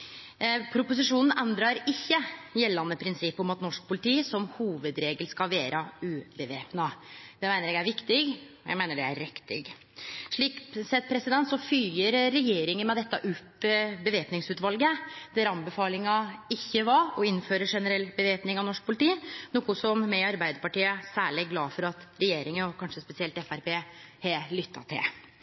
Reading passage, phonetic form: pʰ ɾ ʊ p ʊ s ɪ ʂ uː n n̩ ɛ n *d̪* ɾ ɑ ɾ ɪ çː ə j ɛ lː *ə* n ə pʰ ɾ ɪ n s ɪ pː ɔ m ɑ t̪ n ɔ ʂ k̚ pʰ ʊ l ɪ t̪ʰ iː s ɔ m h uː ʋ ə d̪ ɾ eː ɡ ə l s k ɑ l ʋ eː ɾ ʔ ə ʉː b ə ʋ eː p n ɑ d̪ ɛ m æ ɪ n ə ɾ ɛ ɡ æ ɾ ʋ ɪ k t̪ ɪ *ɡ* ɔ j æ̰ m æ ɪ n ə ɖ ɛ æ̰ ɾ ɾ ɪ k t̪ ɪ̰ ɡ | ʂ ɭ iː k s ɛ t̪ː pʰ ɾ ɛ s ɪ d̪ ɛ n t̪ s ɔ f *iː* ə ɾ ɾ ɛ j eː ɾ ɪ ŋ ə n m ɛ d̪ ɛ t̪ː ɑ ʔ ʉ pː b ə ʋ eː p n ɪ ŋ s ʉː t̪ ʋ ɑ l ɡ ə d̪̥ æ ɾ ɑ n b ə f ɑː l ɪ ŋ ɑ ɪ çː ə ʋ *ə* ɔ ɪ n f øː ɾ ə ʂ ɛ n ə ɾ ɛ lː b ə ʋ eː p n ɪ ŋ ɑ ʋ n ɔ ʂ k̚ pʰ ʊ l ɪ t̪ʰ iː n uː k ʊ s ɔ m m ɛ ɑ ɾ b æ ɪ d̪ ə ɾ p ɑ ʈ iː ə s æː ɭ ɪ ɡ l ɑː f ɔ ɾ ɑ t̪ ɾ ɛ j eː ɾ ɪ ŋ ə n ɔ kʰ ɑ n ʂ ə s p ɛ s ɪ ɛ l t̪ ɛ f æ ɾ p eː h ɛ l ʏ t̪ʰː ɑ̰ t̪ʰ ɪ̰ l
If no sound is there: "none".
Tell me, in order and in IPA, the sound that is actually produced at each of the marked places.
d̪, ɑ, ɡ, yː, ɑ

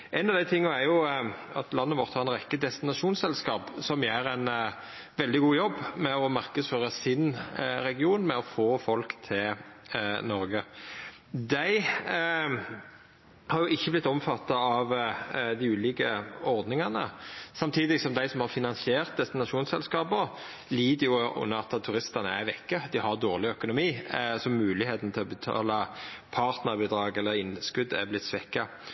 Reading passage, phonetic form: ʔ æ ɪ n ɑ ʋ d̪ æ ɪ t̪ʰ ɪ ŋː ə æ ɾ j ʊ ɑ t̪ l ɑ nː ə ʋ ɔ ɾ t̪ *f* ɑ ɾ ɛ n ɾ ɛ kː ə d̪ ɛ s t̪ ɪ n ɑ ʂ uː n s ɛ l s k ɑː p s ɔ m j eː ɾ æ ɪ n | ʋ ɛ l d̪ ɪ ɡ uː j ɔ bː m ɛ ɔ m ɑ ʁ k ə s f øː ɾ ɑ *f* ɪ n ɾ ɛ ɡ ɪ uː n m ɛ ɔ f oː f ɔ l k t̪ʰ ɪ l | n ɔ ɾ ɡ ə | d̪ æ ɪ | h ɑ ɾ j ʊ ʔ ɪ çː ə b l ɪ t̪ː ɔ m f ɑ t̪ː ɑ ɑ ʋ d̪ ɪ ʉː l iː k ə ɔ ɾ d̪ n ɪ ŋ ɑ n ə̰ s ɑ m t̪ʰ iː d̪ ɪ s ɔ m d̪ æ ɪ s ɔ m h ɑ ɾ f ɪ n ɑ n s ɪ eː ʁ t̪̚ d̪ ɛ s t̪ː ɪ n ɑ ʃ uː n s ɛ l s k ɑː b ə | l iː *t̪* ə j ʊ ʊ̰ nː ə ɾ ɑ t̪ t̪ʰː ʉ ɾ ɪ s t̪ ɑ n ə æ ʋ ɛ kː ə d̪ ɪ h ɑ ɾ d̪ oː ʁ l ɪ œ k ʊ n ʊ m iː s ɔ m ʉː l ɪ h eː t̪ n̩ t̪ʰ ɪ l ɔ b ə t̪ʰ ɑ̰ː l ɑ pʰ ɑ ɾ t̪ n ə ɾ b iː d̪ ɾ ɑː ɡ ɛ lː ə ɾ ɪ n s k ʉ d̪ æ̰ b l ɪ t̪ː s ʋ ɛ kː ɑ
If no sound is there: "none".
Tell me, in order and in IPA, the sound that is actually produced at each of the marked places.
h, s, d̪

